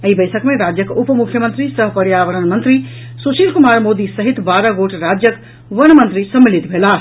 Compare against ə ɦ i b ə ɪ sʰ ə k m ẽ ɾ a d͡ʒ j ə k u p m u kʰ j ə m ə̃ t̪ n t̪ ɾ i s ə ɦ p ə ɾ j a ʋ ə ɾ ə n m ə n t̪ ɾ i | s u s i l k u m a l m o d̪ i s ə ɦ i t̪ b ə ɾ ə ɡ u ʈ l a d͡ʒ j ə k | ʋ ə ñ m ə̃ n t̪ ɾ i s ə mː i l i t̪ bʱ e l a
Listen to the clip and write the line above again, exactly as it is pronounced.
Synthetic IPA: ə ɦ i b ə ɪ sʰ ə k m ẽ ɾ a d͡ʒ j ə k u p m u kʰ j ə m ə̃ n t̪ ɾ i s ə ɦ p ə ɾ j a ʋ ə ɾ ə n m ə n t̪ ɾ i | s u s i l k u m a ɾ m o d̪ i s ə ɦ i t̪ b a ɾ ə ɡ o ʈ ɾ a d͡ʒ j ə k | ʋ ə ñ m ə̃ n t̪ ɾ i s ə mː i l i t̪ bʱ e l a